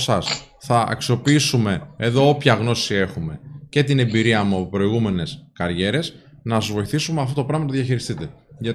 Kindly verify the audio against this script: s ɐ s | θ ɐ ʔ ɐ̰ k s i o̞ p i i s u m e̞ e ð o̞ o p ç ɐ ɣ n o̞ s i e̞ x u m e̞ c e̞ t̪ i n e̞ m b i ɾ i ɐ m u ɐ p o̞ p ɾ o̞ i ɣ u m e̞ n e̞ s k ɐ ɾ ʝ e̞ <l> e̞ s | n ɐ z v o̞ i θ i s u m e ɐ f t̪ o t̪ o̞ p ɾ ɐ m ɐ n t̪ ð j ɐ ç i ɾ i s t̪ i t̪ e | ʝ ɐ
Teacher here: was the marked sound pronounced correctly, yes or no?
no